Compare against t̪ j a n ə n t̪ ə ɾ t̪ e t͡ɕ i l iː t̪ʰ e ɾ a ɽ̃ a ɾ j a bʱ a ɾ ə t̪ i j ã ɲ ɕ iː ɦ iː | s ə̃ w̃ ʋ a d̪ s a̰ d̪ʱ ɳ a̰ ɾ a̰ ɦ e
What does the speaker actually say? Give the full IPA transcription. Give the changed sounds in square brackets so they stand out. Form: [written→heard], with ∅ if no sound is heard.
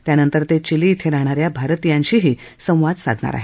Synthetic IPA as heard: t̪ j a n ə n t̪ ə ɾ t̪ e t͡ɕ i l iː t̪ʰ e ɾ a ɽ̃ a ɾ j a bʱ a ɾ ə t̪ i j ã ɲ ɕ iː ɦ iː | s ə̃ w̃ ʋ a d̪ s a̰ d̪ʱ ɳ a̰ ɾ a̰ ɦ e